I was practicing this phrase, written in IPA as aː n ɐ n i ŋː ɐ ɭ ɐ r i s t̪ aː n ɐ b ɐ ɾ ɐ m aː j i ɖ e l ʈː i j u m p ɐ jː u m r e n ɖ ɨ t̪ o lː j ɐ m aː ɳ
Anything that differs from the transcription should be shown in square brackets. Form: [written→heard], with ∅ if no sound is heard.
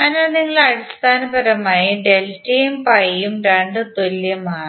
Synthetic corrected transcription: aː n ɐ n i ŋː ɐ ɭ ɐ [r→ɽ] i s t̪ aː n ɐ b ɐ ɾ ɐ m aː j i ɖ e l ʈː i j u m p ɐ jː u m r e [n→ɳ] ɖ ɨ t̪ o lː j ɐ m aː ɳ